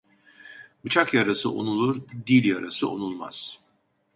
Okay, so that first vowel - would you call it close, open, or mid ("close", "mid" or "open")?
close